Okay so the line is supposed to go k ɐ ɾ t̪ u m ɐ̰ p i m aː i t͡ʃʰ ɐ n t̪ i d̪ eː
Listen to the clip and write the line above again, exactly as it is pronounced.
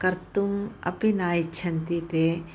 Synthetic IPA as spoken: k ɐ ɾ t̪ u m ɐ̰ p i n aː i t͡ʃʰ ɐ n t̪ i t̪ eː